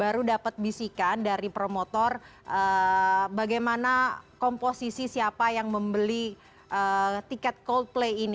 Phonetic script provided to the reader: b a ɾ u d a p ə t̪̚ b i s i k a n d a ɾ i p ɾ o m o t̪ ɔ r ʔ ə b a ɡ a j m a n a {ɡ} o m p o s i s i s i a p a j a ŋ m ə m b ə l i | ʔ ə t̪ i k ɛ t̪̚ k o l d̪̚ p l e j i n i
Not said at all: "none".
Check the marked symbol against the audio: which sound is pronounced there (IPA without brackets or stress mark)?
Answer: k